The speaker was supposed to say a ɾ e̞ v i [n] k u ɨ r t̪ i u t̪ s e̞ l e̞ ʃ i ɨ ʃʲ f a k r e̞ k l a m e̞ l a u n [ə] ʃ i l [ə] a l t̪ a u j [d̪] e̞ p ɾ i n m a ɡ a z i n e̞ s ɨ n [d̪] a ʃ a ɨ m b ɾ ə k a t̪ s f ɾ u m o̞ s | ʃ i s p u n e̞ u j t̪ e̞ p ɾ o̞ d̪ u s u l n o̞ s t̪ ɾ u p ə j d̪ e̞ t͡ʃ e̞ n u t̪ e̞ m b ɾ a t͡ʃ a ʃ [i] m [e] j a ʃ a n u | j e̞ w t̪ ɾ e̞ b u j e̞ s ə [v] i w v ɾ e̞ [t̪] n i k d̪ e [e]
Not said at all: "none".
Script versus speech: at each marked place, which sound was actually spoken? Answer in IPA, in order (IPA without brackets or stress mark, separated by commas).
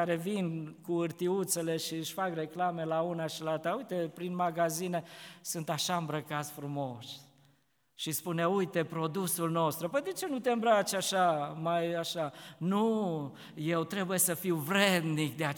n, a, a, t̪, t̪, a, a, f, d̪, a